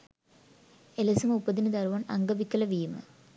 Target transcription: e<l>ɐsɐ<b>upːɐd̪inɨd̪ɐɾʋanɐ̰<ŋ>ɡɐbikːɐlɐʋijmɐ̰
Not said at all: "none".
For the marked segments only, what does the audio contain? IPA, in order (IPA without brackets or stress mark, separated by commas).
l, m, ŋ